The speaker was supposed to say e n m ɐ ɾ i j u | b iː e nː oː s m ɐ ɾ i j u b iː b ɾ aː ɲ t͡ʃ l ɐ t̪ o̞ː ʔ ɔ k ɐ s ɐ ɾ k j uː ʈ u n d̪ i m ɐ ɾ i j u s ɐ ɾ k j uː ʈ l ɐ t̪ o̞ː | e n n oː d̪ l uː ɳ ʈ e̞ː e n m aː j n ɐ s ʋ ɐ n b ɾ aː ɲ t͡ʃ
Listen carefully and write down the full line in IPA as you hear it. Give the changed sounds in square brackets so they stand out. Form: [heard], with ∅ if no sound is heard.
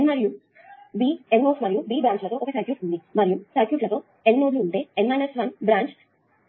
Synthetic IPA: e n m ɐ ɾ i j u | b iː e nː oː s m ɐ ɾ i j u b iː b ɾ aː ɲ t͡ʃ l ɐ t̪ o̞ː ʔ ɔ k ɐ s ɐ ɾ k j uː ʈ u n d̪ i m ɐ ɾ i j u s ɐ ɾ k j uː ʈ l ɐ t̪ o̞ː | e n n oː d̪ l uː ɳ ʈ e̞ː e n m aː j n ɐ s ʋ ɐ n b ɾ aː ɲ t͡ʃ